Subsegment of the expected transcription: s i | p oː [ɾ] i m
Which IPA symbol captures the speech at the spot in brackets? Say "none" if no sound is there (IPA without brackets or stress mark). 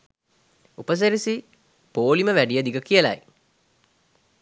l